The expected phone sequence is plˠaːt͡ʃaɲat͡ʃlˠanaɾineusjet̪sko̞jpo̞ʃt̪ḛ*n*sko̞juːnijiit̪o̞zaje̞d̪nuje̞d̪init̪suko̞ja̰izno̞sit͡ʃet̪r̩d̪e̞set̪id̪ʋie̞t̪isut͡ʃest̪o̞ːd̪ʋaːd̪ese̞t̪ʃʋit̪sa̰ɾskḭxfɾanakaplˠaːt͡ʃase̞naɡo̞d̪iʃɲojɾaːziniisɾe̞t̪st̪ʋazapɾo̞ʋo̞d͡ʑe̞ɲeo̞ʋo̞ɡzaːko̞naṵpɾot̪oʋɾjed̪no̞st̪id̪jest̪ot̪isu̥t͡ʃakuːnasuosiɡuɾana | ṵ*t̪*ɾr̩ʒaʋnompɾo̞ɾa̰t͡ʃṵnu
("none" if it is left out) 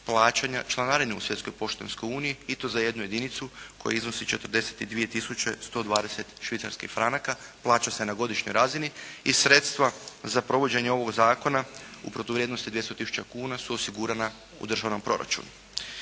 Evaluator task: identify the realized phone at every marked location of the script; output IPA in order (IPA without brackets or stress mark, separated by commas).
n, d̪